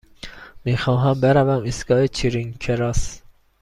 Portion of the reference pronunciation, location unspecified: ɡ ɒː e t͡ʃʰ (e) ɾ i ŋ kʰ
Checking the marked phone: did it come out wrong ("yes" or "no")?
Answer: yes